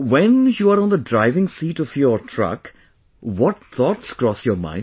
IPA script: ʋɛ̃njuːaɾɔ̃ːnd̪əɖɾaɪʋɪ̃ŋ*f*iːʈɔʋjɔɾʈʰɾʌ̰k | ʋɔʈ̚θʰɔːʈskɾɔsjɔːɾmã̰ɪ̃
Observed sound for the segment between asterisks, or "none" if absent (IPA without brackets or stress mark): s